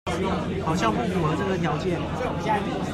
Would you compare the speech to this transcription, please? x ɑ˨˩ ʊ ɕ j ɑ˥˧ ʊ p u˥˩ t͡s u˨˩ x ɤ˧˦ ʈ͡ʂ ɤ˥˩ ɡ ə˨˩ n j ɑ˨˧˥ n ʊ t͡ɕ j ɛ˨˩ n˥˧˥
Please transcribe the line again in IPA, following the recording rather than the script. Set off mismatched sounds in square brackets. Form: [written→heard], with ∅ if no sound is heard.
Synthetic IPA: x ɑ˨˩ ʊ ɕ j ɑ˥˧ ʊ p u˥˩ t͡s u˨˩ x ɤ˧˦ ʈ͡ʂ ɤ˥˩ ɡ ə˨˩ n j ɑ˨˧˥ [n→∅] ʊ t͡ɕ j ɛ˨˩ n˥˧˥